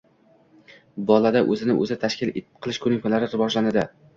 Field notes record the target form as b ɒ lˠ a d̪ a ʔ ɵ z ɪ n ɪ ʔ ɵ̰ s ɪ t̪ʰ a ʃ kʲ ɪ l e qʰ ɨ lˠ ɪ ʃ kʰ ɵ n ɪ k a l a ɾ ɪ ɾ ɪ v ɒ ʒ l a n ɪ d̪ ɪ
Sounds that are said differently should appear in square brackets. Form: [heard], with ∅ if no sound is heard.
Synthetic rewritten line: b ɒ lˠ a d̪ a ʔ ɵ z ɪ n ɪ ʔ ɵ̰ [z] ɪ t̪ʰ a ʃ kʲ ɪ l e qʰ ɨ lˠ ɪ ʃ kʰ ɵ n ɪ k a l a ɾ ɪ ɾ ɪ v ɒ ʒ l a n ɪ d̪ ɪ